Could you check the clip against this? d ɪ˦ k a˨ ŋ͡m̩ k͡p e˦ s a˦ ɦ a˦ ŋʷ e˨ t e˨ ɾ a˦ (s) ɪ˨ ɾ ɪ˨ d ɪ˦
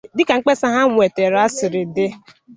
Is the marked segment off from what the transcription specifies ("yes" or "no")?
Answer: no